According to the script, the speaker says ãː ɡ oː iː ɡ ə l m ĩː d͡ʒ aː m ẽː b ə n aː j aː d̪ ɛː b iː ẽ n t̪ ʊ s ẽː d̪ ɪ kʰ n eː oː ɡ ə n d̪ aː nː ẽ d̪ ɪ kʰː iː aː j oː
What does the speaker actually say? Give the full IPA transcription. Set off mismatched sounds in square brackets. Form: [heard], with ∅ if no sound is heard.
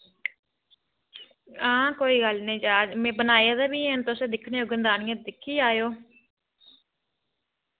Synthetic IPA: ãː [k] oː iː ɡ ə l [n] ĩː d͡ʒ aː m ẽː b ə n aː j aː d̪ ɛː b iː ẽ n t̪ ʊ s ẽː d̪ ɪ kʰ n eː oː ɡ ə n d̪ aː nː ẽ d̪ ɪ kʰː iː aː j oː